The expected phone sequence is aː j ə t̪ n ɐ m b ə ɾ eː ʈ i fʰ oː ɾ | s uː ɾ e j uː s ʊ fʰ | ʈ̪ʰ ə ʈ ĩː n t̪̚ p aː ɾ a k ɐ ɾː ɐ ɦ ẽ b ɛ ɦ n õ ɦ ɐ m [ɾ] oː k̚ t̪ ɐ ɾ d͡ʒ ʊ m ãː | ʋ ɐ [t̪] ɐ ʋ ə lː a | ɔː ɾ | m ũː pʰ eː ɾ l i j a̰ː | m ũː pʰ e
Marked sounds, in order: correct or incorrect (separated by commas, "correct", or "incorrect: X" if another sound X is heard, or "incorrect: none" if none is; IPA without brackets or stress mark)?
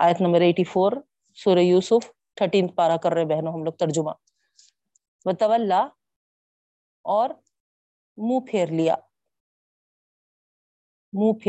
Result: incorrect: l, correct